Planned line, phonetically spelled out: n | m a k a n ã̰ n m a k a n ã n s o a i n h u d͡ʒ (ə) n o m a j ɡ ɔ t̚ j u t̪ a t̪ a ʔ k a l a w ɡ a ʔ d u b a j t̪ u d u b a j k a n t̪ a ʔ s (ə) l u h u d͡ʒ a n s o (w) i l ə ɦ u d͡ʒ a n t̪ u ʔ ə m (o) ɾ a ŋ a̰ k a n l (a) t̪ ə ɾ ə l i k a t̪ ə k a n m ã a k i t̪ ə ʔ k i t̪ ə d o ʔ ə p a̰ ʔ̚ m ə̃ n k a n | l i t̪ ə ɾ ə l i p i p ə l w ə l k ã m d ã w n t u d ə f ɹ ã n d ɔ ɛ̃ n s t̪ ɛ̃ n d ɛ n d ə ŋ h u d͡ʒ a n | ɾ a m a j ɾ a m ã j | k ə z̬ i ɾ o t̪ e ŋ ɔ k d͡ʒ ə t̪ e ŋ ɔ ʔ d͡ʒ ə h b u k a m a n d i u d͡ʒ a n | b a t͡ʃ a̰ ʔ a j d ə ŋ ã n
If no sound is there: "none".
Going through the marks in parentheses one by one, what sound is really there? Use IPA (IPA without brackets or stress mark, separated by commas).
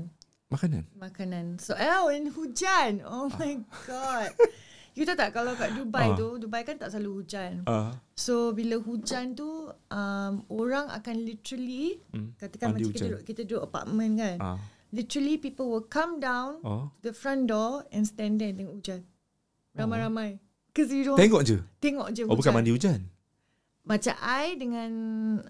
a, a, b, o, i